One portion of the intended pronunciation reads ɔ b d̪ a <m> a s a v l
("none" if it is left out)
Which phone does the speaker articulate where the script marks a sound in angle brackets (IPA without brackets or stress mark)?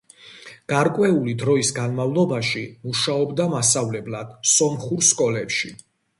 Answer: m